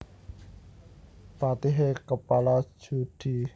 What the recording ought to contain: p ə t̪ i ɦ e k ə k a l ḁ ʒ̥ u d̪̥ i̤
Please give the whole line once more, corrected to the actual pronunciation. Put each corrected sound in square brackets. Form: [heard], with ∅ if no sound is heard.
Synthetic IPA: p [a] t̪ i ɦ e k ə [p] a l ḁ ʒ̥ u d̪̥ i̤